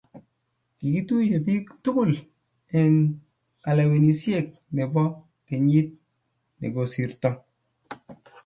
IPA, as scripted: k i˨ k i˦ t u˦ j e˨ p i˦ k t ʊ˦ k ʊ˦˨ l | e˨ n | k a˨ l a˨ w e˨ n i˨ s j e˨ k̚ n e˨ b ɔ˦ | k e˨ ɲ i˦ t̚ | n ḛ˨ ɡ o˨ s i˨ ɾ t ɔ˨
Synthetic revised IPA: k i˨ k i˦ t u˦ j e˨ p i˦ k t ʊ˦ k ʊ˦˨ l | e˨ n | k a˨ l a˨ w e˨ n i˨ s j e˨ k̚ n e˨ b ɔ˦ | k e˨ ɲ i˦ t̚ | n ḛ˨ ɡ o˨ s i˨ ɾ t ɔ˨